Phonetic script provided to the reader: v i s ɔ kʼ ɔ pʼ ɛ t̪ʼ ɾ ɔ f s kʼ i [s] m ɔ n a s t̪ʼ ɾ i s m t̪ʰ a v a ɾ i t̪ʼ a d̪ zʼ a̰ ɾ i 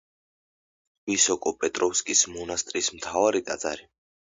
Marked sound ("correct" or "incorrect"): correct